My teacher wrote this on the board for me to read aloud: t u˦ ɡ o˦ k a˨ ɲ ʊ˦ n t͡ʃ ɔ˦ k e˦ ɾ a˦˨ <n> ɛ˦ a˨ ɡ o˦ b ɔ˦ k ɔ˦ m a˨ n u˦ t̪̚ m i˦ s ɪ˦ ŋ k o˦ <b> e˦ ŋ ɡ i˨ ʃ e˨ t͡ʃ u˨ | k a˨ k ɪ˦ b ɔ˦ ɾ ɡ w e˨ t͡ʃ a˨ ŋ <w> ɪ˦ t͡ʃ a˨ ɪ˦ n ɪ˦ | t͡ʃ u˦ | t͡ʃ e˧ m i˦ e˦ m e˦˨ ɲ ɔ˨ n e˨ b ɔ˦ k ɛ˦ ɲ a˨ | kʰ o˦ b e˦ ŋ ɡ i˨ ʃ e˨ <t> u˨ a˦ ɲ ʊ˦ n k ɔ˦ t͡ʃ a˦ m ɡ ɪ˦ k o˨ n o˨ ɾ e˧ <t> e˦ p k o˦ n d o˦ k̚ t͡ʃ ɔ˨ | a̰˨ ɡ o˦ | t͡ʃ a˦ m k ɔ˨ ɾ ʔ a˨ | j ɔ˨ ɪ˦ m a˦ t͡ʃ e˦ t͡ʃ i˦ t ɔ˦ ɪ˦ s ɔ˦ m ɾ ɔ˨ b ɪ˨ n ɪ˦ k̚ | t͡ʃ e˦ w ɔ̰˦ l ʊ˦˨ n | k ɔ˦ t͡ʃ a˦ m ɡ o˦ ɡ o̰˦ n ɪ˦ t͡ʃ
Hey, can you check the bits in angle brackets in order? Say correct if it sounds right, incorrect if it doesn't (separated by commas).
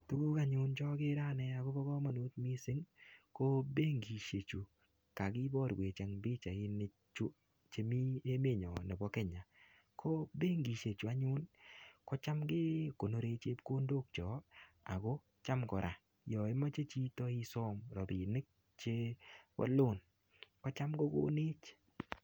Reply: correct, correct, incorrect, incorrect, incorrect